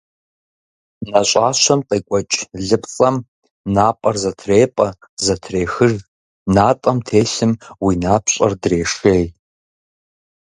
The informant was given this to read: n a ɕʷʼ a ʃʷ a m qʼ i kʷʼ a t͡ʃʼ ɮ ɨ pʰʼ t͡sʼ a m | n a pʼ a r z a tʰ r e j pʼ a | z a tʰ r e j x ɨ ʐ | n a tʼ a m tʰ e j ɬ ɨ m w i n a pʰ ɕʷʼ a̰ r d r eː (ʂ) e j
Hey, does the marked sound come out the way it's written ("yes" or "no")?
yes